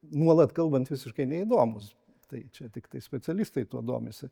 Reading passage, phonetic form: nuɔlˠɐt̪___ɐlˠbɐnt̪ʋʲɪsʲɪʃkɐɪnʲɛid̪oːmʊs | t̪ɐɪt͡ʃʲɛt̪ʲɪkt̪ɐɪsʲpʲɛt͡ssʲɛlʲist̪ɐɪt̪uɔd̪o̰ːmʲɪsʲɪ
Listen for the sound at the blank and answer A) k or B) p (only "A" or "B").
A